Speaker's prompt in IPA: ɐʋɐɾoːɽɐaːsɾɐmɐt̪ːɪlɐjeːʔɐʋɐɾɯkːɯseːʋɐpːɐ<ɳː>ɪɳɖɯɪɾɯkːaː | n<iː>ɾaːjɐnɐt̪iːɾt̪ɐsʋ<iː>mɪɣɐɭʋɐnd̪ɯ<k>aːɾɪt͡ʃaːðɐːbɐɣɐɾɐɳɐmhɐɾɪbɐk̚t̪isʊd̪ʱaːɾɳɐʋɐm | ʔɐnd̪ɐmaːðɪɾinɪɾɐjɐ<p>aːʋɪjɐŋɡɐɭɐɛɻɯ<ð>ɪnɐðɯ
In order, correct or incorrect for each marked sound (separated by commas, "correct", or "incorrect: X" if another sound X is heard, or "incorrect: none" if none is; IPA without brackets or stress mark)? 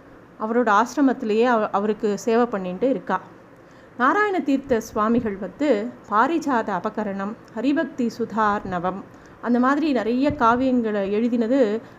correct, incorrect: aː, incorrect: aː, incorrect: p, incorrect: k, correct